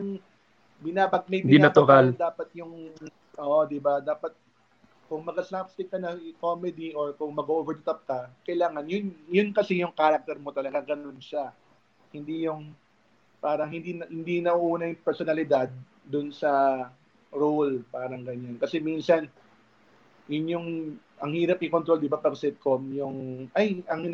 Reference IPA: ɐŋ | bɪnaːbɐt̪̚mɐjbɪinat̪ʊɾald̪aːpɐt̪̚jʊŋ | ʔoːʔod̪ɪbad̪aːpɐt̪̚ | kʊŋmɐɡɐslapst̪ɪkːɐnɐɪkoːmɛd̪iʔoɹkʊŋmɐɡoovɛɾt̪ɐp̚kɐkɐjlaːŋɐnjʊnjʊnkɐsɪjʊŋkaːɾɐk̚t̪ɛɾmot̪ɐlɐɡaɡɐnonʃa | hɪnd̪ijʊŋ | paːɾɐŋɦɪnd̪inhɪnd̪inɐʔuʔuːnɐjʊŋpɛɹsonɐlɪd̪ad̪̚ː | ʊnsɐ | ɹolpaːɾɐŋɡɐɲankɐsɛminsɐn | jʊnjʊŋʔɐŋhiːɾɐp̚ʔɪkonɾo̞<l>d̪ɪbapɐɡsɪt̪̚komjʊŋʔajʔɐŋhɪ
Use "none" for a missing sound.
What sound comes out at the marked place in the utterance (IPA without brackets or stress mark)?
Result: l